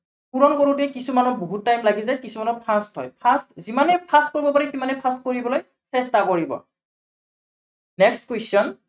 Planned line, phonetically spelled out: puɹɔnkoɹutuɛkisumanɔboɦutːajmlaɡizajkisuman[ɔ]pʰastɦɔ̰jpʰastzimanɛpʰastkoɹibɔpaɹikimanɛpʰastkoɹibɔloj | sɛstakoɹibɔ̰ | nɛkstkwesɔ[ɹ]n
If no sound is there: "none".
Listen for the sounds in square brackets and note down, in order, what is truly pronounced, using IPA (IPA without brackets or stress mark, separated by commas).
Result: ɔ, none